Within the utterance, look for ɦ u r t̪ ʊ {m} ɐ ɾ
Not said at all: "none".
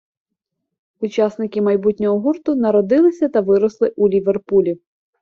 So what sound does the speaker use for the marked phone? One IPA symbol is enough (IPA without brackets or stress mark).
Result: n